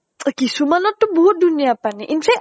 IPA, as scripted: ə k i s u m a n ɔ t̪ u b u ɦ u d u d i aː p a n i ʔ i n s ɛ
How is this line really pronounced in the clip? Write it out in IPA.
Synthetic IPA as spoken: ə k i s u m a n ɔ t̪ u b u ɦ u d u n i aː p a n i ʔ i n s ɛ